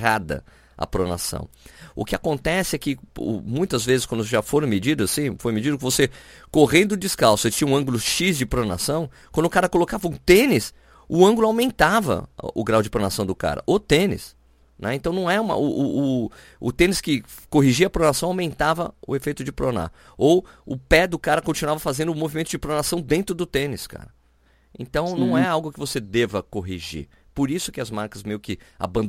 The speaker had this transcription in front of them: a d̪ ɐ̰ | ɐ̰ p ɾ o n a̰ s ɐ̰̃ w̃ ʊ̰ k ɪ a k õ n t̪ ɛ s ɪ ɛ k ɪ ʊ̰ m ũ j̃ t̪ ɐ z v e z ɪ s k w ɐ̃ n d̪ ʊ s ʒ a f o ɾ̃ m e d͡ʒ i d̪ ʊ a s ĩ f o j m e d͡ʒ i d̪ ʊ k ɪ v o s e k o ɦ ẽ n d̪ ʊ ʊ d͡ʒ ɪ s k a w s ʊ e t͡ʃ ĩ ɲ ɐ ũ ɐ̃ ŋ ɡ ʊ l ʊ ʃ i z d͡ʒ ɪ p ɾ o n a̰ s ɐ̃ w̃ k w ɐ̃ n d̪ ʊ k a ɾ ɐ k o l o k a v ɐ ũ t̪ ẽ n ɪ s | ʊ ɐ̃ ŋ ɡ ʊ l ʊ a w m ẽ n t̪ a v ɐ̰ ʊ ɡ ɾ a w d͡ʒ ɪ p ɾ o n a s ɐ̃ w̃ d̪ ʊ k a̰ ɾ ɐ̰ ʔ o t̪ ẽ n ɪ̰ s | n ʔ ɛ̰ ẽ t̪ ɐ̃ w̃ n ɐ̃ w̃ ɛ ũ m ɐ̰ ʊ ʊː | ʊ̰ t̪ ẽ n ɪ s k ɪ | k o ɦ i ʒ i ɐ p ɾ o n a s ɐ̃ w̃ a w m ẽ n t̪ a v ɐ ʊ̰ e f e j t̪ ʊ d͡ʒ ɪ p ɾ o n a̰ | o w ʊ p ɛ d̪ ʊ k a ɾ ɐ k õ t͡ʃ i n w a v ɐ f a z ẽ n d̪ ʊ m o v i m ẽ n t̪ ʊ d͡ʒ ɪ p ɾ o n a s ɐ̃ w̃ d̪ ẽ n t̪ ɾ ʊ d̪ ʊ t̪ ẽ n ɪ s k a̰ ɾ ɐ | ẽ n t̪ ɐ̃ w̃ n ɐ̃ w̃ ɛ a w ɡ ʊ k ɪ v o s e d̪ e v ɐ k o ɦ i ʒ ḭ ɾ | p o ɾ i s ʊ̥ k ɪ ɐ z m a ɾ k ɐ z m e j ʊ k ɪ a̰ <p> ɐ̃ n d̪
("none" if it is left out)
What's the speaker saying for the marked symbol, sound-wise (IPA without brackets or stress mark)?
b